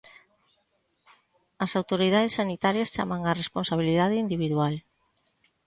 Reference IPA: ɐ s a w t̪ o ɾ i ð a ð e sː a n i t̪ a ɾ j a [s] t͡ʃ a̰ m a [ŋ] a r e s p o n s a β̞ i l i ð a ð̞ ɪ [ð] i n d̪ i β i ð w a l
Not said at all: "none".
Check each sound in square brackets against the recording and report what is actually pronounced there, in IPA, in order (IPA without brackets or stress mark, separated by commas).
s, ŋ, none